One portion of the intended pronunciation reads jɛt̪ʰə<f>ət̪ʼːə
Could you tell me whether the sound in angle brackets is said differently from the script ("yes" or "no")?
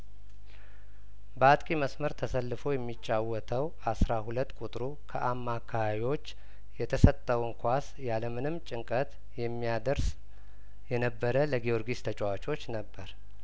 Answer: yes